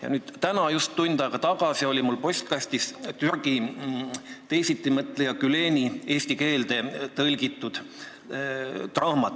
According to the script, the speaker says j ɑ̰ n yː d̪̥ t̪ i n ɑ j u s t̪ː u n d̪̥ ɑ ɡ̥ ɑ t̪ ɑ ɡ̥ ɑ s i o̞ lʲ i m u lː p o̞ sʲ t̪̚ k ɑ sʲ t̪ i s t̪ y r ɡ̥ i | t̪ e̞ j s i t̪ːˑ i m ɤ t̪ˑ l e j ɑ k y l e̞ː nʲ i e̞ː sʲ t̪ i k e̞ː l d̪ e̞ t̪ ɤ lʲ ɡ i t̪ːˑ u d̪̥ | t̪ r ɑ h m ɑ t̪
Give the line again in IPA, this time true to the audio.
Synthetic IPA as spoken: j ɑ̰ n yː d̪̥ t̪ æ n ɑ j u s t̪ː u n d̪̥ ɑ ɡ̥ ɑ t̪ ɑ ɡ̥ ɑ s i o̞ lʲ i m u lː p o̞ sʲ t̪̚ k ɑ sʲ t̪ i s t̪ y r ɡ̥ i | t̪ e̞ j s i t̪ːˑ i m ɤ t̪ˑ l e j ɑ k y l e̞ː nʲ i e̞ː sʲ t̪ i k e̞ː l d̪ e̞ t̪ ɤ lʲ ɡ i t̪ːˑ u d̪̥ | t̪ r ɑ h m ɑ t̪